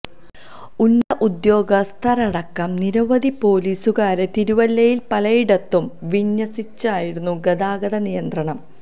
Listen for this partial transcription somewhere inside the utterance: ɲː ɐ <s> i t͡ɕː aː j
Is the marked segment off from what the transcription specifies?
no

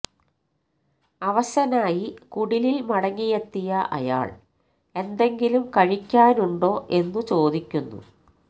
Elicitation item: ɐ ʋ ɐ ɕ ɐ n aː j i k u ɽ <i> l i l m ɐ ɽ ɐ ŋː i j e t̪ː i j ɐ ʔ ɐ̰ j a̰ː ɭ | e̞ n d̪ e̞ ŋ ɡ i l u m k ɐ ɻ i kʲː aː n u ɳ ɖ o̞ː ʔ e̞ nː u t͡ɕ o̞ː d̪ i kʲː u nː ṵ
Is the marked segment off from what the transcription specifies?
no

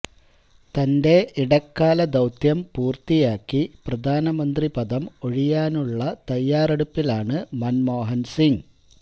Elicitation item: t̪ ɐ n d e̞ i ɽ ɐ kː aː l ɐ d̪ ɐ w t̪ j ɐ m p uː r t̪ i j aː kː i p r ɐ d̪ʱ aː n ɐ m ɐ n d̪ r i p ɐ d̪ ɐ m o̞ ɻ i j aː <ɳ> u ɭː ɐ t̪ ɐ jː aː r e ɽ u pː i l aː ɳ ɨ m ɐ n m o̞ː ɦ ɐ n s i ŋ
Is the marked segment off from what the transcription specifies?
yes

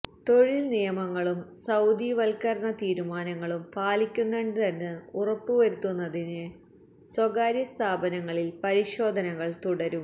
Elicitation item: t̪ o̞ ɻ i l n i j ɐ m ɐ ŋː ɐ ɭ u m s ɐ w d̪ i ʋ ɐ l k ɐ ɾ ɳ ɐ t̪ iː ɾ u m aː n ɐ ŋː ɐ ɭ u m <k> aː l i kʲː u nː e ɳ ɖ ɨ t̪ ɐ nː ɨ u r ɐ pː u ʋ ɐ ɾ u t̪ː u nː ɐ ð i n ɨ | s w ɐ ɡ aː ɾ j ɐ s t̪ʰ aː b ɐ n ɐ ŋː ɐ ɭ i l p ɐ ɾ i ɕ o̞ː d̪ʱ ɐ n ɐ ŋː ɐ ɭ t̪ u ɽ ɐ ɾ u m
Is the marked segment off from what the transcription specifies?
yes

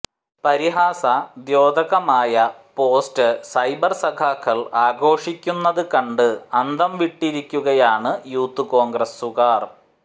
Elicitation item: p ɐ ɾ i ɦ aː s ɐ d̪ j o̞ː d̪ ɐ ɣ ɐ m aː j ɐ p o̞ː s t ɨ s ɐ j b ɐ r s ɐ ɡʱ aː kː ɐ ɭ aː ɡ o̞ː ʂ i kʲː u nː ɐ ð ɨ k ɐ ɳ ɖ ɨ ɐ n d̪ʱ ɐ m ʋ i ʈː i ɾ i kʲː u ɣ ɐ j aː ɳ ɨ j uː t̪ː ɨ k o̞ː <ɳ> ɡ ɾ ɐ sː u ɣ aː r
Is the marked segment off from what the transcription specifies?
yes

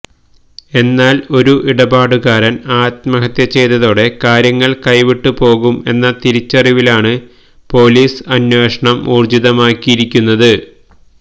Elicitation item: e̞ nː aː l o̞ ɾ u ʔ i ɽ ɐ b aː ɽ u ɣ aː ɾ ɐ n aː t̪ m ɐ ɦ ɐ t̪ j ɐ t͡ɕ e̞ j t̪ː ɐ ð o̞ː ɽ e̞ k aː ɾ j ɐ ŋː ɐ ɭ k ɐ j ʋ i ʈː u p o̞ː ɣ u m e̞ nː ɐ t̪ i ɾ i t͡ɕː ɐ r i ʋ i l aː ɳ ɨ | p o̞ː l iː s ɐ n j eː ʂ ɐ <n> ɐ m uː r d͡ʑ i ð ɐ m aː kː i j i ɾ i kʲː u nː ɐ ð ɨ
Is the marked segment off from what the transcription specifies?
yes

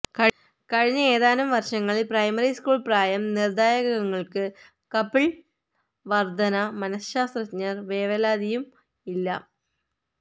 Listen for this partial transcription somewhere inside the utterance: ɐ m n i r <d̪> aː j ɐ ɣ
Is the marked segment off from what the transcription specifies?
no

